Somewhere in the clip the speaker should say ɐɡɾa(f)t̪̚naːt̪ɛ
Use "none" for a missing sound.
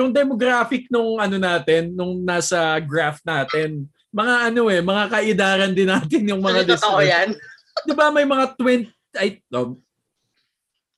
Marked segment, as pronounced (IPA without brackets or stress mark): f